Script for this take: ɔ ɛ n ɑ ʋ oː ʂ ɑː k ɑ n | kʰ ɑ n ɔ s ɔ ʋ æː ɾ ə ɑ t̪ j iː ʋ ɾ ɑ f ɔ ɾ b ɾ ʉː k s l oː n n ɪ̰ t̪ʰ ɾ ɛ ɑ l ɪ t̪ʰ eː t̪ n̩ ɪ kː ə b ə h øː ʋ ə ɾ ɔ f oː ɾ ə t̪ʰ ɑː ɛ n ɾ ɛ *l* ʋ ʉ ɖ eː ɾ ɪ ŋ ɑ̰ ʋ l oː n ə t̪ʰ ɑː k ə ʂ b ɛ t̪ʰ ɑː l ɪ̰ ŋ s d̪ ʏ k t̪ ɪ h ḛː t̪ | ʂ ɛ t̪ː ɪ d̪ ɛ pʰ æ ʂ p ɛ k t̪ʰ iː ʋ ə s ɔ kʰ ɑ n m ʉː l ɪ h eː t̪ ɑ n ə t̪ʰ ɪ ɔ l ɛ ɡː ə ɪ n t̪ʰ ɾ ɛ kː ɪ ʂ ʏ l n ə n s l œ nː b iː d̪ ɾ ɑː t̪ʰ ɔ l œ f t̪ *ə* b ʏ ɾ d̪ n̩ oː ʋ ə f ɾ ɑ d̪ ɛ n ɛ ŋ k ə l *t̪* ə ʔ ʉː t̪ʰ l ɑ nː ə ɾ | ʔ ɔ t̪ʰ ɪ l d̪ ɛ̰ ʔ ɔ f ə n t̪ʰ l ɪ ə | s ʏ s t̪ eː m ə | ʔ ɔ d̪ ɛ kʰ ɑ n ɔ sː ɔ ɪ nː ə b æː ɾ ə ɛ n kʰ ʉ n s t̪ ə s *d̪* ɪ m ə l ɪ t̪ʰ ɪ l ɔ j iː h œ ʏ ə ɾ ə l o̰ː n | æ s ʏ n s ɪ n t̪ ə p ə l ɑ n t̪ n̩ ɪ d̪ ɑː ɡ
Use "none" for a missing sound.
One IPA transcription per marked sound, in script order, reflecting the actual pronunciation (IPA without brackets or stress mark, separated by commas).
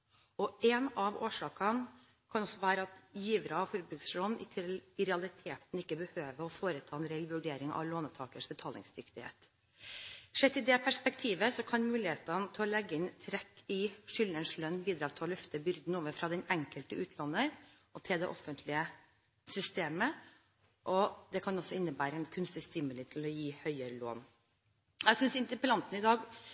l, ə, t̪, t̪